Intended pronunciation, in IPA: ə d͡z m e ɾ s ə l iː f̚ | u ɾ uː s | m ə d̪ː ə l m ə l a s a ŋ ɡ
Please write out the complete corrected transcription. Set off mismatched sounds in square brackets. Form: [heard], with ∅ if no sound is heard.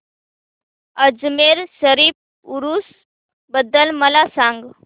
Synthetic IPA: ə d͡z m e ɾ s ə [ɾ] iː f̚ | u ɾ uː s | [b] ə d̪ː ə l m ə l a s a ŋ ɡ